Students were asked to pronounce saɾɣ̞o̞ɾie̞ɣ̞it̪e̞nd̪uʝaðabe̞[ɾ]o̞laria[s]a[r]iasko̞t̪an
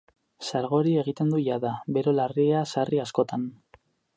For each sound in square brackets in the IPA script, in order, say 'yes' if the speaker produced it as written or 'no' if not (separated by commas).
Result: yes, yes, yes